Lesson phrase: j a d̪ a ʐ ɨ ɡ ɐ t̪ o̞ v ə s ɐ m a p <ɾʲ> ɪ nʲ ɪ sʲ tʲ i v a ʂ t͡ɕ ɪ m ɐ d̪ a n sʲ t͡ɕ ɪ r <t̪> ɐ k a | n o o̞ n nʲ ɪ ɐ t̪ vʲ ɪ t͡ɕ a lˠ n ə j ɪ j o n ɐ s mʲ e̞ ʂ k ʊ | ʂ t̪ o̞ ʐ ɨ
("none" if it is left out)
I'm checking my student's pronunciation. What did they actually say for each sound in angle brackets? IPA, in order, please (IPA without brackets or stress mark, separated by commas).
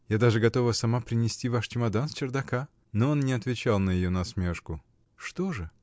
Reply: ɾʲ, d̪